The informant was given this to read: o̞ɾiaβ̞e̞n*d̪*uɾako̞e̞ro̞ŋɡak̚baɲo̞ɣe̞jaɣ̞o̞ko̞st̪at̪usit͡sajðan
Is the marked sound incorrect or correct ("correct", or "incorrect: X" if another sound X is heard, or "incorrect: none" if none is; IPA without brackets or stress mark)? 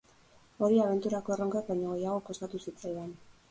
incorrect: t̪